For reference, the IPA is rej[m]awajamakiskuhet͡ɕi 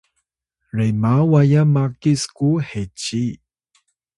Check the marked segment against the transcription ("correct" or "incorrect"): correct